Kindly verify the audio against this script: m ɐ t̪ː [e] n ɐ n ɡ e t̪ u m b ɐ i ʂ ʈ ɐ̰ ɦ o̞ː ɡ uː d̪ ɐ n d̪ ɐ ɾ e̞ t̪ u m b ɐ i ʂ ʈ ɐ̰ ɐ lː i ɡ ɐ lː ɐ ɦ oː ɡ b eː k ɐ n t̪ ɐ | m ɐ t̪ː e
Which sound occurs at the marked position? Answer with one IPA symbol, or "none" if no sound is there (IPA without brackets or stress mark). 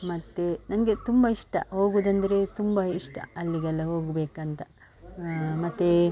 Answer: e